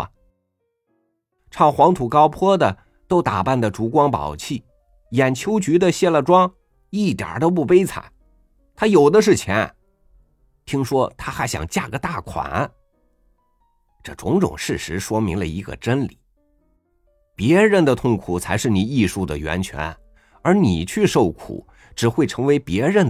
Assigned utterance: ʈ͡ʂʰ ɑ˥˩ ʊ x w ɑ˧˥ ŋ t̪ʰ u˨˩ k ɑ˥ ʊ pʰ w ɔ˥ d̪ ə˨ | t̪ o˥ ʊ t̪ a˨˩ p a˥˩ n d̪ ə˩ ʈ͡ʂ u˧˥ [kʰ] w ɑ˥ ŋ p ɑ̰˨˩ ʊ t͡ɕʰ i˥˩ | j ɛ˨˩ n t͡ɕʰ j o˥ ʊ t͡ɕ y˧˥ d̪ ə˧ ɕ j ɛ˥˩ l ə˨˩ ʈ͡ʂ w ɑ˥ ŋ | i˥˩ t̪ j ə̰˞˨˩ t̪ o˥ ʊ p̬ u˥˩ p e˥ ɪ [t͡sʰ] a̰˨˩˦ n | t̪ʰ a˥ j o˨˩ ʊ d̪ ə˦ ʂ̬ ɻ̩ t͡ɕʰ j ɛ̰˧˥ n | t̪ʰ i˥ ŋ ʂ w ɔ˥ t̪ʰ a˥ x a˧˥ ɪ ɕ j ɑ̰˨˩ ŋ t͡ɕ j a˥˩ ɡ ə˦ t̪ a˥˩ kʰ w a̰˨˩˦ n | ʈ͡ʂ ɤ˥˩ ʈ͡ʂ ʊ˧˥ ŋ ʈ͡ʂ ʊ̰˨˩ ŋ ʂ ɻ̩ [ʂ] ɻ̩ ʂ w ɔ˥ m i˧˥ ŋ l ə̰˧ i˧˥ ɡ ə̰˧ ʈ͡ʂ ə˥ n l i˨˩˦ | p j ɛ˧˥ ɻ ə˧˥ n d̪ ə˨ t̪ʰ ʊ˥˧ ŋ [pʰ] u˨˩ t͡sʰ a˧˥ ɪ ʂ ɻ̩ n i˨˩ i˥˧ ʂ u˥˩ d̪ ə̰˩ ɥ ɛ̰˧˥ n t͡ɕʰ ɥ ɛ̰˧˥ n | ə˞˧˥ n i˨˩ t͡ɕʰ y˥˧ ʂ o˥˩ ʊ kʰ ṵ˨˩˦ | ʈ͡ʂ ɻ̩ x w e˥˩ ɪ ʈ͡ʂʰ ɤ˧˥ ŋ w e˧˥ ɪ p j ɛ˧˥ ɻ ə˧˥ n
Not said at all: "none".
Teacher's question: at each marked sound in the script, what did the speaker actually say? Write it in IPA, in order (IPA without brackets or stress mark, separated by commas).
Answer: k, t͡sʰ, ʂ, kʰ